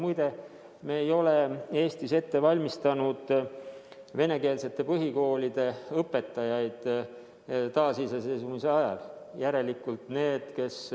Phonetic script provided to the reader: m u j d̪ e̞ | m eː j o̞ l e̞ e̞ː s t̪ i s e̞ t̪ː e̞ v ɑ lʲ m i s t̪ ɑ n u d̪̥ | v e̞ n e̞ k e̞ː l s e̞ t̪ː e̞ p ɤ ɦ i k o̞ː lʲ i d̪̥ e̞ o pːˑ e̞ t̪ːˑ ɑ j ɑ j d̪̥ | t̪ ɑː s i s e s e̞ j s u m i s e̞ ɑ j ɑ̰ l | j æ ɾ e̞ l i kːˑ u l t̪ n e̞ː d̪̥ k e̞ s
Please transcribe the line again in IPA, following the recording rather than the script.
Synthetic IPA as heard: m u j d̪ e̞ | m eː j o̞ l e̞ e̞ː s t̪ i s e̞ t̪ː e̞ v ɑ lʲ m i s t̪ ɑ n u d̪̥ | v e̞ n e̞ k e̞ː l s e̞ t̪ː e̞ p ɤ ɦ i k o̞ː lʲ i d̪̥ e̞ ɤ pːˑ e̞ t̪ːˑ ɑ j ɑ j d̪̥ | t̪ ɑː s i s e s e̞ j s u m i s e̞ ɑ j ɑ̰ l | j æ ɾ e̞ l i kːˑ u l t̪ n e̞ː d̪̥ k e̞ s